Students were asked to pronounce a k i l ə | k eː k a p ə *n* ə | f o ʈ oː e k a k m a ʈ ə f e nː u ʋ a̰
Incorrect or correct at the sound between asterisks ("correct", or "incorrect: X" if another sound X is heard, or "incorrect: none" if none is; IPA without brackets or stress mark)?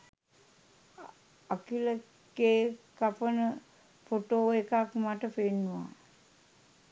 correct